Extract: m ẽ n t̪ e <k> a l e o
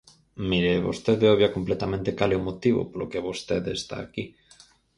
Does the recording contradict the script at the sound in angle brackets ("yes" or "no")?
no